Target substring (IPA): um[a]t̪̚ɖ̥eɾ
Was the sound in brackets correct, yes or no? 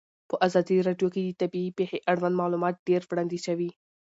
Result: no